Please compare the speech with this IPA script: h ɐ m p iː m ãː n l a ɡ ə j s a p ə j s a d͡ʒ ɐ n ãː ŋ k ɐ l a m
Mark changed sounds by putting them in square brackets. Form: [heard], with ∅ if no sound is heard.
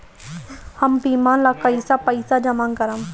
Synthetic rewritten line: h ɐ m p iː m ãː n l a [k] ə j s a p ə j s a d͡ʒ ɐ [m] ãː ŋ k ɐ [ɾ] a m